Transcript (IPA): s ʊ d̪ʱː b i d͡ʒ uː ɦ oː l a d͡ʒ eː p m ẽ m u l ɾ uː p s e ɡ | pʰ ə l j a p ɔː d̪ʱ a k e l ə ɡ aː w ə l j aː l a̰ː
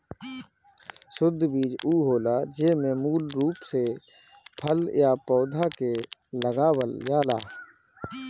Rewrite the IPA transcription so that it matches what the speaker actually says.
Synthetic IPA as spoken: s ʊ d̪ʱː b iː d͡ʒ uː ɦ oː l a d͡ʒ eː m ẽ m uː l ɾ uː p s e | pʰ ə l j a p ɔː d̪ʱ a k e l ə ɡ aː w ə l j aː l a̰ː